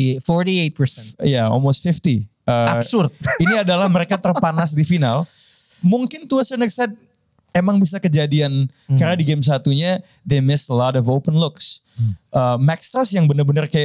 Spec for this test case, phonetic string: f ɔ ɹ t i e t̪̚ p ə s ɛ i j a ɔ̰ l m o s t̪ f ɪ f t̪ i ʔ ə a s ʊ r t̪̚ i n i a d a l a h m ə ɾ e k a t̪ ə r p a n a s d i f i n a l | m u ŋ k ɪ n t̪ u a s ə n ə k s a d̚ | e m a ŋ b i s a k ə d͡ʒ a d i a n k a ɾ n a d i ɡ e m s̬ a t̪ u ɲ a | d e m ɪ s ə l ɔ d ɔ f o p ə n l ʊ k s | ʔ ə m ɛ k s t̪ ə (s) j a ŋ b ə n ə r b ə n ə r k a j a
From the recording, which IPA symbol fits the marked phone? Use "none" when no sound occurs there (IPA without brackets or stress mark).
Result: s